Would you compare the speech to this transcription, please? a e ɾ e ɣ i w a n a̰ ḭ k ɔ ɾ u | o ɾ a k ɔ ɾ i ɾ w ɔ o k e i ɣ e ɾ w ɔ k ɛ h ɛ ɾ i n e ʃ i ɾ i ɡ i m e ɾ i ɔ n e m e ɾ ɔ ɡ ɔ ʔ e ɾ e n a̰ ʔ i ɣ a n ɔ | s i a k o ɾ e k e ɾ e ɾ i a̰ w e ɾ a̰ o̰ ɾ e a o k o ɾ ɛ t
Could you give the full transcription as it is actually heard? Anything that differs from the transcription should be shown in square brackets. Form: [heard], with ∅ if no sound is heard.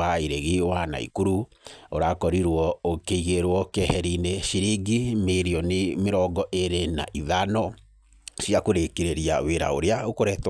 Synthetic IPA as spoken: a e ɾ e ɣ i w a n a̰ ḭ k [u] ɾ u | o ɾ a k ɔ ɾ i ɾ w ɔ o k e i ɣ e ɾ w ɔ k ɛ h ɛ ɾ i n e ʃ i ɾ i ɡ i m e ɾ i ɔ n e m e ɾ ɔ ɡ ɔ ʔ e ɾ e n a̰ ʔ i [ð] a n ɔ | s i a k o ɾ e k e ɾ e ɾ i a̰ w e ɾ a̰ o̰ ɾ e a o k o ɾ ɛ t